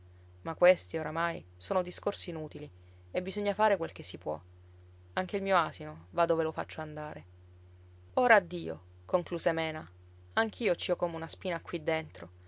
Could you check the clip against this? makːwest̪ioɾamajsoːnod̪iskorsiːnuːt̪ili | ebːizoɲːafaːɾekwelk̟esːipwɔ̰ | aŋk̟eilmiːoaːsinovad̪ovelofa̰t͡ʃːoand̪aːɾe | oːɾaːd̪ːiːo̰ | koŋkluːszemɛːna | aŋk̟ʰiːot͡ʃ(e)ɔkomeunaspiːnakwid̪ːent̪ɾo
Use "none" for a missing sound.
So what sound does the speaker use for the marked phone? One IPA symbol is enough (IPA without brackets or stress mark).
i